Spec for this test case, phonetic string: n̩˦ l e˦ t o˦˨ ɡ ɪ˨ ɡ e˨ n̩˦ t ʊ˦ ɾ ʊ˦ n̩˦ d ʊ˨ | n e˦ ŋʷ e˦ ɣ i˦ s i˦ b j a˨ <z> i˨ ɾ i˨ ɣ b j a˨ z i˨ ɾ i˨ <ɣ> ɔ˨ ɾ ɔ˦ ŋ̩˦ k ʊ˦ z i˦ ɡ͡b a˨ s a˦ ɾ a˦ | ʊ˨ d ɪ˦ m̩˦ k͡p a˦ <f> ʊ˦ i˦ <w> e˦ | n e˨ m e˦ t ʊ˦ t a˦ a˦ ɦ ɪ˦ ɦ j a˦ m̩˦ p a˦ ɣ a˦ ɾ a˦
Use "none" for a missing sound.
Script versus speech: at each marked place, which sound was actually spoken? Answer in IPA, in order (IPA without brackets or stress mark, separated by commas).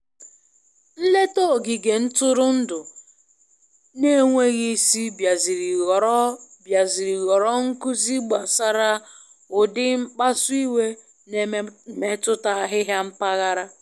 z, ɣ, s, w